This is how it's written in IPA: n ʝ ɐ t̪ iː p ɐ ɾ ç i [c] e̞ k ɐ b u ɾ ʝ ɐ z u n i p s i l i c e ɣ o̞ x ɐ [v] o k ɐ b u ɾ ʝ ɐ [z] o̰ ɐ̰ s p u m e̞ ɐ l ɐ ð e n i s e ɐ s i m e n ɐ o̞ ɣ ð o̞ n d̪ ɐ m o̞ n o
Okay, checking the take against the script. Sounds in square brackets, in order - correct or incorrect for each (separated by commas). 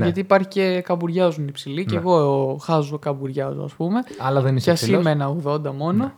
correct, incorrect, correct